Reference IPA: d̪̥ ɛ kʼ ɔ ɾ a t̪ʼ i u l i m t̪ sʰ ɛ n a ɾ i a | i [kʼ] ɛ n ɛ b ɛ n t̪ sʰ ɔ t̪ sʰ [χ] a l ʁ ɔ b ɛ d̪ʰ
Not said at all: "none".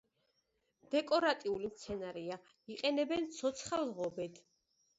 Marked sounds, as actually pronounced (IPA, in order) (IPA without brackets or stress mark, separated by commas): qʼ, χ